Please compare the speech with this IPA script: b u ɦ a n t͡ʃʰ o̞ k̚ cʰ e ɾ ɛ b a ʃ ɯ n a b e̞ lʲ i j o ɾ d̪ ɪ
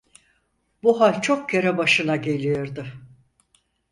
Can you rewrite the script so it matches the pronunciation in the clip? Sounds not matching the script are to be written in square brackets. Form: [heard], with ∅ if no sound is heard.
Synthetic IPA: b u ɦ a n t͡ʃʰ o̞ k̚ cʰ e ɾ ɛ b a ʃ ɯ n a [ɟ] e̞ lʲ i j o ɾ d̪ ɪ

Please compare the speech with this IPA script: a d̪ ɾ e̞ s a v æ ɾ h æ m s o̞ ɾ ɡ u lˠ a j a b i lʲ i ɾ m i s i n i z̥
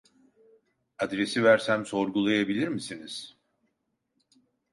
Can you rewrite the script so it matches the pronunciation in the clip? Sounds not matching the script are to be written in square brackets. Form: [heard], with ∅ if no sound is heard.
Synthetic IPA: a d̪ ɾ e̞ s [i] v æ ɾ [s] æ m s o̞ ɾ ɡ u lˠ a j a b i lʲ i ɾ m i s i n i z̥

